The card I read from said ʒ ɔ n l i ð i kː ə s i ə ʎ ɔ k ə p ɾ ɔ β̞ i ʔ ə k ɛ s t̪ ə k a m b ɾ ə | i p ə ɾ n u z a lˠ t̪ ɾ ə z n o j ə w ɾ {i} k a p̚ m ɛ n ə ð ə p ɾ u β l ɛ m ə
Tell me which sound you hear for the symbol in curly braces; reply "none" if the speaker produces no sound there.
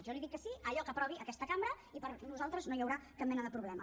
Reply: a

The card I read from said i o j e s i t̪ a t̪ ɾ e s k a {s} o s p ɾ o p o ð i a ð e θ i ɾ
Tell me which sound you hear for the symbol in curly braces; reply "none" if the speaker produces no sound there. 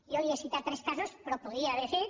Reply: s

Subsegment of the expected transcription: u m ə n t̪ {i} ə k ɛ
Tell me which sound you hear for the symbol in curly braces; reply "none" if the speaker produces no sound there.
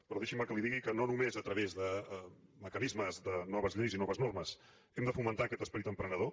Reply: a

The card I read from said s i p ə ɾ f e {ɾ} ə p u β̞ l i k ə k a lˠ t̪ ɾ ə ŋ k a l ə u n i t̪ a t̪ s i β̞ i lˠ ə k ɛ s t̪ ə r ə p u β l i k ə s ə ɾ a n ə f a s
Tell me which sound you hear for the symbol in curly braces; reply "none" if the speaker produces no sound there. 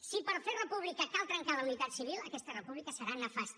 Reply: r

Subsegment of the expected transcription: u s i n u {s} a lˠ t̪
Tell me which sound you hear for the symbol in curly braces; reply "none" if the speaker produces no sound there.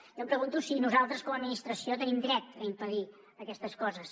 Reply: z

